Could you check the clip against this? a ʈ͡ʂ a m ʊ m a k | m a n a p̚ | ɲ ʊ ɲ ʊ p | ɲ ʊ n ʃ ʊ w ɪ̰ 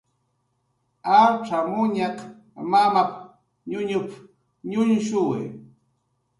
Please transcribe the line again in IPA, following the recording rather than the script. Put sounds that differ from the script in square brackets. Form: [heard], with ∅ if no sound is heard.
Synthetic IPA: a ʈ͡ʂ a m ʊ [ɲ] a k | m a [m] a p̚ | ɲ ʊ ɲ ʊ p | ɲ ʊ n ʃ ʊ w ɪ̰